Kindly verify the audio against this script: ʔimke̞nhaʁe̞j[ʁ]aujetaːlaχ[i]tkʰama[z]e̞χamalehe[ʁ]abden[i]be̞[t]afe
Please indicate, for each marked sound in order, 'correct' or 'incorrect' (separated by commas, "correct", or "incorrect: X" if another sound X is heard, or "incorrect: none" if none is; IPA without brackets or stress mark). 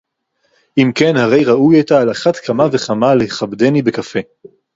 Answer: correct, incorrect: a, incorrect: v, incorrect: χ, correct, incorrect: k